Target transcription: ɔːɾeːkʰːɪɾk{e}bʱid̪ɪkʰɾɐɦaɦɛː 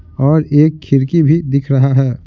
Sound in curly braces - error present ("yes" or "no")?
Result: yes